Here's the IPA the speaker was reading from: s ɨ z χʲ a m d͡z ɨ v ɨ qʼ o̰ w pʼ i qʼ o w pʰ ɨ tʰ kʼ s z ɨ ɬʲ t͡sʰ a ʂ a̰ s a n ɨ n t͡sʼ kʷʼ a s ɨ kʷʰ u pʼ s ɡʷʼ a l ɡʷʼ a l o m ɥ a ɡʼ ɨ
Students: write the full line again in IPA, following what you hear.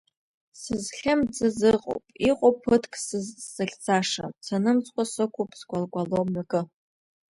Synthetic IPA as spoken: s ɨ z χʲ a m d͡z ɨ z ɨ qʼ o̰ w pʼ i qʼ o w pʰ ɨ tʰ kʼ s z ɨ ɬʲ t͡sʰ a ʂ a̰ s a n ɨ m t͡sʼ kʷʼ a s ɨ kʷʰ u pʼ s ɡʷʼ a l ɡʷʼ a l o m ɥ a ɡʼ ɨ